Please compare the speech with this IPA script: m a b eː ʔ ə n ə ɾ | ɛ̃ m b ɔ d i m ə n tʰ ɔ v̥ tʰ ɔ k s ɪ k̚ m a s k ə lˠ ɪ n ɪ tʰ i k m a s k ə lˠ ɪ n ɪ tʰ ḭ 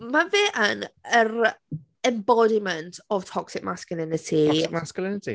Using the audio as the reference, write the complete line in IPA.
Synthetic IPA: m a v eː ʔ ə n ə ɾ | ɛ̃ m b ɔ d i m ə n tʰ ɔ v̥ tʰ ɔ k s ɪ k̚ m a s k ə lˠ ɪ n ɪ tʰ i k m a s k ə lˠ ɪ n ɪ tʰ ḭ